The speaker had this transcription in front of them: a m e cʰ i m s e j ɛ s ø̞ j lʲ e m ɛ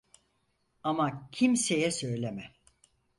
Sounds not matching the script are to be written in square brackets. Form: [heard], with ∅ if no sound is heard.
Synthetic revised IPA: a m [a] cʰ i m s e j ɛ s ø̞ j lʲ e m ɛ